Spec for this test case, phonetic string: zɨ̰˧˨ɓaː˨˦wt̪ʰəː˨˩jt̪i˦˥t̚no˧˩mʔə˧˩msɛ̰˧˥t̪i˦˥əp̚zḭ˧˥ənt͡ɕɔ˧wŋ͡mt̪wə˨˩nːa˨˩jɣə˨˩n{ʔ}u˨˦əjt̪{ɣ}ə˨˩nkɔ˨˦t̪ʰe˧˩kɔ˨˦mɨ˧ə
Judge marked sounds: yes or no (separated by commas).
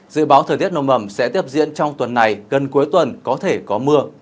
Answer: no, no